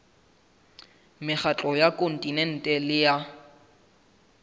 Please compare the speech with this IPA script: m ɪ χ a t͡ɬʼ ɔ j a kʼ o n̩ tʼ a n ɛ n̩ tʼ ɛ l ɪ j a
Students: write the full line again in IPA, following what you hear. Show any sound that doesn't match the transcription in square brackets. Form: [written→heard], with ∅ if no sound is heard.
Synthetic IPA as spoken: m ɪ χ a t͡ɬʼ ɔ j a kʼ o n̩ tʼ [a→i] n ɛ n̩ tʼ ɛ l ɪ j a